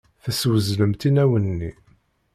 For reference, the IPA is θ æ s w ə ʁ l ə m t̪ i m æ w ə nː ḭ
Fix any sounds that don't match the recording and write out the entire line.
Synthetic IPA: θ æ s w ə z l ə m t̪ i n æ w ə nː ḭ